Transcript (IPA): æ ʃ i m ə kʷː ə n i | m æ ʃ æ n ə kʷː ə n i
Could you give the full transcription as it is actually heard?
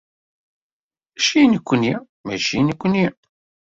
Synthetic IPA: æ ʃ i n ə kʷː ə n i | m æ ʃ i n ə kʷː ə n i